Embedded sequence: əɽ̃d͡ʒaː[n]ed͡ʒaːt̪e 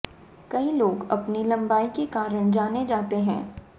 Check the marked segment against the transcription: correct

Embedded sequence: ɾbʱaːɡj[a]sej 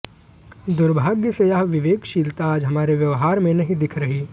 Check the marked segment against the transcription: incorrect: ə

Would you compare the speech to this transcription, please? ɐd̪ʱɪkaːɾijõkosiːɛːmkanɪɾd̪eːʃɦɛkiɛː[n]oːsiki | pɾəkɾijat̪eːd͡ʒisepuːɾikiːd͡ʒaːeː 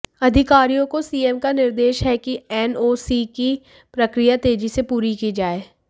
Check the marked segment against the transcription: correct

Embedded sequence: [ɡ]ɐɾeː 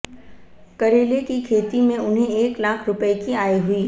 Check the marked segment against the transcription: incorrect: k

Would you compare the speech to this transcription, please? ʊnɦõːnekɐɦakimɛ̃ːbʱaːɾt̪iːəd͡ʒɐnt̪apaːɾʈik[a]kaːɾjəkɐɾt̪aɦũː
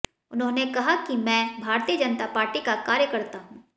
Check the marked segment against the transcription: correct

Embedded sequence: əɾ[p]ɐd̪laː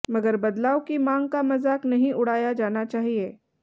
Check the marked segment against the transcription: incorrect: b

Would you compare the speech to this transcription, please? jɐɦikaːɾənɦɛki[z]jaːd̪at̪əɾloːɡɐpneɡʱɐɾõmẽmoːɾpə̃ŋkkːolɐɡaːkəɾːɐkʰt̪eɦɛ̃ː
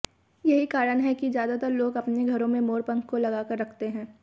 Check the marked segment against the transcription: correct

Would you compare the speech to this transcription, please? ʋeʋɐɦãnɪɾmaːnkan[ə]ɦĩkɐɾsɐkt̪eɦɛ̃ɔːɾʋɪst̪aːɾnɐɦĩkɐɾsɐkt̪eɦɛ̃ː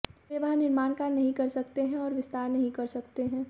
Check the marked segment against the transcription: incorrect: ɐ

